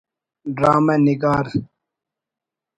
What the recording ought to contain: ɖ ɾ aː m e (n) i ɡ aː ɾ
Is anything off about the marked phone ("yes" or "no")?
no